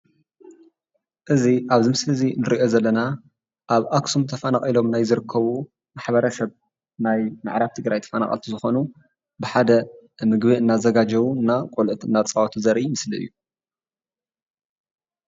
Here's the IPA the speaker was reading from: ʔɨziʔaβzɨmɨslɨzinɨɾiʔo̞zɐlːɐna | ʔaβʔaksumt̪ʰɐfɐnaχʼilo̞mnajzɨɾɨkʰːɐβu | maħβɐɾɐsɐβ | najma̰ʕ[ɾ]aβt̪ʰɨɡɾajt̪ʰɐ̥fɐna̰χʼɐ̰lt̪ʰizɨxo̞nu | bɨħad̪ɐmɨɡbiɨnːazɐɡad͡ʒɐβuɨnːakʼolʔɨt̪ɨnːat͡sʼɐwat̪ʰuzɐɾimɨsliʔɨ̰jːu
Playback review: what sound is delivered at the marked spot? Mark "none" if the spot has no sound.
ɾ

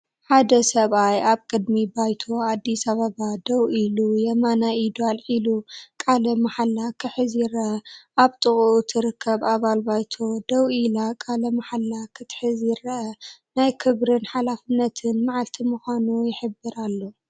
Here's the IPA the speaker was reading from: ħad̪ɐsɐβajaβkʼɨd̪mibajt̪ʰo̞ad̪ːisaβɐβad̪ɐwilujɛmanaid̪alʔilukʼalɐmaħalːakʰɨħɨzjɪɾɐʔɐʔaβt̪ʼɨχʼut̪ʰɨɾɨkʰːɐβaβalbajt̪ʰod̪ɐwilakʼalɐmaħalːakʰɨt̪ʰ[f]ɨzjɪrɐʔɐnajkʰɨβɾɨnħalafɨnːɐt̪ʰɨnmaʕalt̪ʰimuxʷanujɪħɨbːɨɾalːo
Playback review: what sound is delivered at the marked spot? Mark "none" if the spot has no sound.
ħ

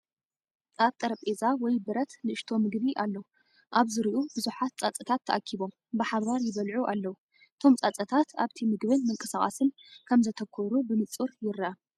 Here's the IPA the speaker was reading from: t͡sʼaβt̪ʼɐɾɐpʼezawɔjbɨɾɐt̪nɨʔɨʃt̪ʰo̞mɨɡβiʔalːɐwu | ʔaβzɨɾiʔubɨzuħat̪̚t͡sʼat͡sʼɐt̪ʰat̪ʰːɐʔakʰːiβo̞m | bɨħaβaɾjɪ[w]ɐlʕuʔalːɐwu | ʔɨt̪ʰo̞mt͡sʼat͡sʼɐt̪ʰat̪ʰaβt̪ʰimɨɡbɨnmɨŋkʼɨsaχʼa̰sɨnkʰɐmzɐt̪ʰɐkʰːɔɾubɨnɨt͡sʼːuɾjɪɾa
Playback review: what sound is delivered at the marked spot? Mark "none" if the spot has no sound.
β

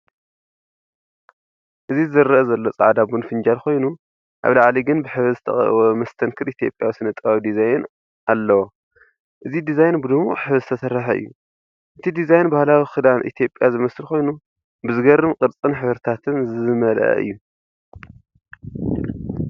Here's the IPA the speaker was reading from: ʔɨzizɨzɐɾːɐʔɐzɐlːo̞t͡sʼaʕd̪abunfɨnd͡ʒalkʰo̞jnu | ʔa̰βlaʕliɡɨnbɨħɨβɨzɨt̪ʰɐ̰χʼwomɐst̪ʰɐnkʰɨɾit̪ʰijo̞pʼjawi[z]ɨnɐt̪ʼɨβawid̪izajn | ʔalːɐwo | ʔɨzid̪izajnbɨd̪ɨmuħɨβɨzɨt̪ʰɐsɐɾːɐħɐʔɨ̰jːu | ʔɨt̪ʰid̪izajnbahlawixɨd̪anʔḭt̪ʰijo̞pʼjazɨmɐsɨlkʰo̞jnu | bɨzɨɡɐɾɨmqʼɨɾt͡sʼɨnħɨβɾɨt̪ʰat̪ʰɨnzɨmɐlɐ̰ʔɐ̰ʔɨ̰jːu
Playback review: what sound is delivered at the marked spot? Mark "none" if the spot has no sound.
s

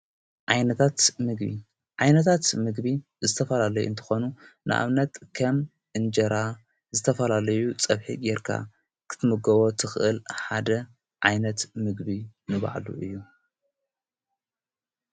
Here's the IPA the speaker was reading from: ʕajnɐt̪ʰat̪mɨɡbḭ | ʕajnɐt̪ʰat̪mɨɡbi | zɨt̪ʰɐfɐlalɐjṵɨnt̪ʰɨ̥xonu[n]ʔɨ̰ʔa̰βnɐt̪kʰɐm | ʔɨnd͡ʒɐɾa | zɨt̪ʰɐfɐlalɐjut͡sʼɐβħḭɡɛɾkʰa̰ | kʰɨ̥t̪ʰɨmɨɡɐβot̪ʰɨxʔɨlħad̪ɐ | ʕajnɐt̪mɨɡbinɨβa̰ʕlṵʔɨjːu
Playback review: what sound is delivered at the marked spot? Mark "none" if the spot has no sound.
n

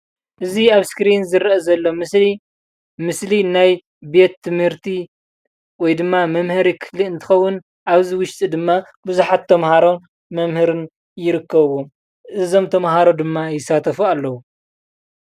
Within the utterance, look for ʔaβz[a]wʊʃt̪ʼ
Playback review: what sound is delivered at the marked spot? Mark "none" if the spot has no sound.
i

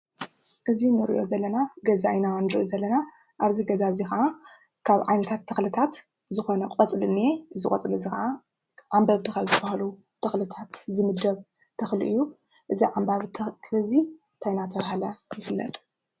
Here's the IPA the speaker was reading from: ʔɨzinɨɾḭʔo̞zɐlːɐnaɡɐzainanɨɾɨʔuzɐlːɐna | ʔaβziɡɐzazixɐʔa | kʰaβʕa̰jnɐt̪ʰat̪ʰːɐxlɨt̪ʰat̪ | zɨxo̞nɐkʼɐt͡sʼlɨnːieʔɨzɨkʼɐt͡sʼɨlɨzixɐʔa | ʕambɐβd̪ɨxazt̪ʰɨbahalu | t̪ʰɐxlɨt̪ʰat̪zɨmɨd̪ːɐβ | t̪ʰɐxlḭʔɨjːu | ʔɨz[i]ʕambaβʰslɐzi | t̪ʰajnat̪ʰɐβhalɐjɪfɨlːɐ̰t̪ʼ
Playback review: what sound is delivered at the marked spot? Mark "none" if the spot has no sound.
i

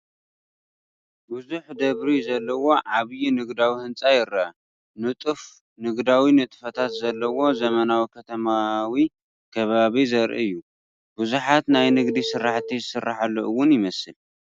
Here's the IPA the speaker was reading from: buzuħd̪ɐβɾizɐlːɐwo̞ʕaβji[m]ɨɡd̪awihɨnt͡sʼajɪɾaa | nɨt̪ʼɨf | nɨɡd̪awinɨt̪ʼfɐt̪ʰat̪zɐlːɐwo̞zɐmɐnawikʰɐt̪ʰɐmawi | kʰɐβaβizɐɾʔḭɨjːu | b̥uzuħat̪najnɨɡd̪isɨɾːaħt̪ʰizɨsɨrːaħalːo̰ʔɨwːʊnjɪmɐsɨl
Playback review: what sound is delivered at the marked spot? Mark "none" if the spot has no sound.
n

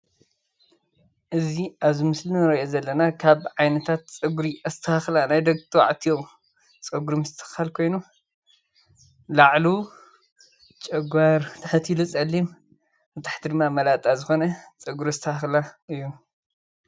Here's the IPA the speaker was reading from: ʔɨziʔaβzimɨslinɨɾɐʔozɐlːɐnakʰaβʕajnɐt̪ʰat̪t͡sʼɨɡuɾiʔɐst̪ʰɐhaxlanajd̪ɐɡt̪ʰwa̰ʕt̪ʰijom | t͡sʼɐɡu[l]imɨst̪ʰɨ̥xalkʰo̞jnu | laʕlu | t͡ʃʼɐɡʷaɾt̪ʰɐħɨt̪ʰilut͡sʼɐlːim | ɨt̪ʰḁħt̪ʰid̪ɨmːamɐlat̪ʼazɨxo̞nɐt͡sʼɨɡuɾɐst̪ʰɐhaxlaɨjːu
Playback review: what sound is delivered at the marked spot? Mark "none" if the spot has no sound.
ɾ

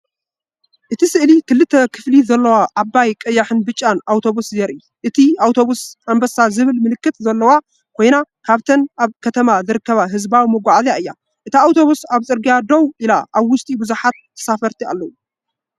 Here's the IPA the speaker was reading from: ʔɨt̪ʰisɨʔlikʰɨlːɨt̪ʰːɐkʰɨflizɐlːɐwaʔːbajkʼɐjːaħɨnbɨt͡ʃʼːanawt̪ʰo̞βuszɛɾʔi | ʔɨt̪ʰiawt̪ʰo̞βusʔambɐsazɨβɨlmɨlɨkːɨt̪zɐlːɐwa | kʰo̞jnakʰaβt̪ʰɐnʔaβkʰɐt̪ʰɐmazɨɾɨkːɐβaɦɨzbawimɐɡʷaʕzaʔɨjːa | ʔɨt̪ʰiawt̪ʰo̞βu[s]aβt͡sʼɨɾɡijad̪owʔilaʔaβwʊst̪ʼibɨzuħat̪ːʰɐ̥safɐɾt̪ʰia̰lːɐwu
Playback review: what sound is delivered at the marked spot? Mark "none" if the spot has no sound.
s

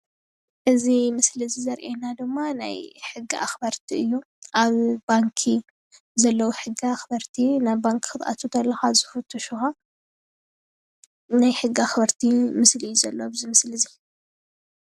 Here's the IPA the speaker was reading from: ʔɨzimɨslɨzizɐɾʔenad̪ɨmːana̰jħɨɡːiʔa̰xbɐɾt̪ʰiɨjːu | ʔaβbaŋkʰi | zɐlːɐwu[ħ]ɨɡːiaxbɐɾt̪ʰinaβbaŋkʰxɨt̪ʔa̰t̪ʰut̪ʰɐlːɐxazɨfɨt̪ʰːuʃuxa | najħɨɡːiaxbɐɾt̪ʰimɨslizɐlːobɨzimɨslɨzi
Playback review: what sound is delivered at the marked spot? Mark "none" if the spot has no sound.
ħ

